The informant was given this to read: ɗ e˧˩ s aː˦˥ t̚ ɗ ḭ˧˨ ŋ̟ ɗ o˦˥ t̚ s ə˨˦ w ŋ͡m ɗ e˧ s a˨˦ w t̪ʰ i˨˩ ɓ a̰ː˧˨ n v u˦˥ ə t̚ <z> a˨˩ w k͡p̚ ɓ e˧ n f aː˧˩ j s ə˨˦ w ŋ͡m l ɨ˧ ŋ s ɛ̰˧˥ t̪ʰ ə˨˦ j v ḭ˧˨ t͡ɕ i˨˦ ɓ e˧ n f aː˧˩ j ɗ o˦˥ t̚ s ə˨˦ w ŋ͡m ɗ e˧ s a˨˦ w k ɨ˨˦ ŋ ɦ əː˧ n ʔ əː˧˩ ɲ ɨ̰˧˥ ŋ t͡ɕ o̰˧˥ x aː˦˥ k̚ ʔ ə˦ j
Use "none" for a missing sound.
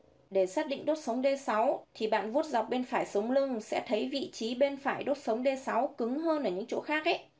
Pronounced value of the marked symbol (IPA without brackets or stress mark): z